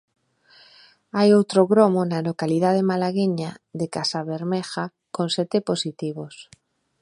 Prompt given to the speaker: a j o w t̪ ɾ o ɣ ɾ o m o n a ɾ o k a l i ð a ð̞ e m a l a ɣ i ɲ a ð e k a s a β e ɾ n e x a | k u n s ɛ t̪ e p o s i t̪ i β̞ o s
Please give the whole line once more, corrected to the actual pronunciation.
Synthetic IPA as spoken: a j o w t̪ ɾ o ɣ ɾ o m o n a l o k a l i ð a ð̞ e m a l a ɣ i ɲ a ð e k a s a β e ɾ m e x a | k o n s ɛ t̪ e p o s i t̪ i β̞ o s